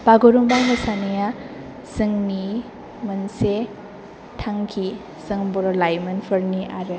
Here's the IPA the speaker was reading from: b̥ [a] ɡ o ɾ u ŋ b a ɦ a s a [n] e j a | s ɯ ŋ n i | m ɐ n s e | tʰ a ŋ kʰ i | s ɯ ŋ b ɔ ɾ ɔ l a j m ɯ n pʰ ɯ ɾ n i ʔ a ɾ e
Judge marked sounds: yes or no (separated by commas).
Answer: yes, yes